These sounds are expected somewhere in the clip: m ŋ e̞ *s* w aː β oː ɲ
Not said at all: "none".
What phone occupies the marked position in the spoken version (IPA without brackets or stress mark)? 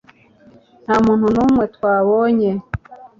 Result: t